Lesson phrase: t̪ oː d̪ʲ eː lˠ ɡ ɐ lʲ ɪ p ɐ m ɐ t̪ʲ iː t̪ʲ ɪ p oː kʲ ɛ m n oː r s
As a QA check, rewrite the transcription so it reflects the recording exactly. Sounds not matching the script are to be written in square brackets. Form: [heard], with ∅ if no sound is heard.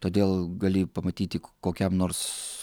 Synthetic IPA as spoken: t̪ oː d̪ʲ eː lˠ ɡ ɐ lʲ ɪ p ɐ m ɐ t̪ʲ iː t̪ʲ ɪ [k] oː kʲ ɛ m n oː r s